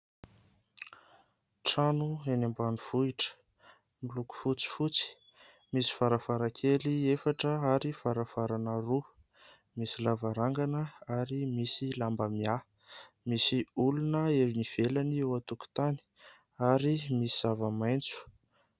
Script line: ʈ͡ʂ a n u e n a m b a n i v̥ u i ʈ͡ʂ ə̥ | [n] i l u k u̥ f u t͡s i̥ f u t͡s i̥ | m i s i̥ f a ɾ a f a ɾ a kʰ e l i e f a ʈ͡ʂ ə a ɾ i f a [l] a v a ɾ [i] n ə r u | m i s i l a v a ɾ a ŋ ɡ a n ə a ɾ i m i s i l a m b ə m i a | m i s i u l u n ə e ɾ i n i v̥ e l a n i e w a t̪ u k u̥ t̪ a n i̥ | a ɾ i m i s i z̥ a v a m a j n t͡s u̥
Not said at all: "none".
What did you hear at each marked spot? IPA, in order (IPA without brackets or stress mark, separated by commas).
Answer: m, ɾ, a